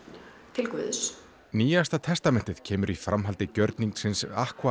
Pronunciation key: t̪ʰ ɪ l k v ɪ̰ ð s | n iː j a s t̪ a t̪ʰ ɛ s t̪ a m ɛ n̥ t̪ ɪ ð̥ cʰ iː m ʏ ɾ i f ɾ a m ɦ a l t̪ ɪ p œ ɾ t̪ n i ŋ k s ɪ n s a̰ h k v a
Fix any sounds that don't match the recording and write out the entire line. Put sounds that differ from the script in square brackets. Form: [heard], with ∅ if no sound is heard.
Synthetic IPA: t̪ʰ ɪ l k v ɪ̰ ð s | n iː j a s t̪ a t̪ʰ ɛ s t̪ a m ɛ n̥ t̪ ɪ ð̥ cʰ [ɛː] m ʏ ɾ i f ɾ a m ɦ a l t̪ ɪ [c] œ ɾ t̪ n i ŋ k s ɪ n s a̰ h k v a